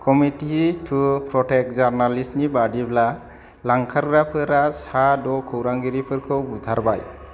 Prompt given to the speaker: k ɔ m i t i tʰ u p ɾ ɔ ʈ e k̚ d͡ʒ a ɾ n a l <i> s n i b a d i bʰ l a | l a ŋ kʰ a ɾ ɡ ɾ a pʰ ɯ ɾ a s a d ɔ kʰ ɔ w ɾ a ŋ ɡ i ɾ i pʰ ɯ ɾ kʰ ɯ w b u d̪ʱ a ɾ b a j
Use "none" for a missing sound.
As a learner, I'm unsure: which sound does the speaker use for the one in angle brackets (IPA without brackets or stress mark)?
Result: i